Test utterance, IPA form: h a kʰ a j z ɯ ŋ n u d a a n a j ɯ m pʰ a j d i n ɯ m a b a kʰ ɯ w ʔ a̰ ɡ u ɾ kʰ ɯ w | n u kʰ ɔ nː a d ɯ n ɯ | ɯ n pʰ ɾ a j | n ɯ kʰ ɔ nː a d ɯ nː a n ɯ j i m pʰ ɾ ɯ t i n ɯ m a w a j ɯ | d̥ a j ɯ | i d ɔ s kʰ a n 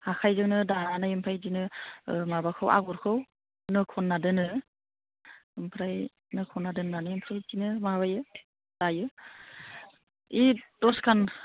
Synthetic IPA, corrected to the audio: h a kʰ a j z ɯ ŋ n ɯ d a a n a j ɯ m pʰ a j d i n ɯ m a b a kʰ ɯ w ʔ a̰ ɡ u ɾ kʰ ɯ w | n ɯ kʰ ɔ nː a d ɯ n ɯ | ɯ m pʰ ɾ a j | n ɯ kʰ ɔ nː a d ɯ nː a n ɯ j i m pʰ ɾ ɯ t i n ɯ m a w a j ɯ | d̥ a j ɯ | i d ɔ s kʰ a n